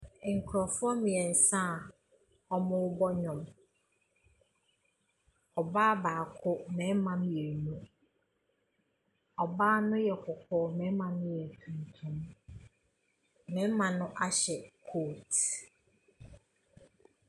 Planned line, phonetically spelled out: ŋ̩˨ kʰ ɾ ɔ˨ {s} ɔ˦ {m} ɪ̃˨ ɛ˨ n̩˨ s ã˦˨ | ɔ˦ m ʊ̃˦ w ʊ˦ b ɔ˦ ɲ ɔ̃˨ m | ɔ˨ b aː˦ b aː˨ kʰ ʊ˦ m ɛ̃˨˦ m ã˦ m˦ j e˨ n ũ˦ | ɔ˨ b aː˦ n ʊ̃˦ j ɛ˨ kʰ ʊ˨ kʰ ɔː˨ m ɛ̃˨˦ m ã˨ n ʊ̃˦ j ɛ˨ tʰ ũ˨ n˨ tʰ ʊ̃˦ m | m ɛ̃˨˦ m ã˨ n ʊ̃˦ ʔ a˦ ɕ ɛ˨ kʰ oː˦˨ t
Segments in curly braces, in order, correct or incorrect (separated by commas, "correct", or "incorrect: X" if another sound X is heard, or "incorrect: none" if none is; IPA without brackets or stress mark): incorrect: f, correct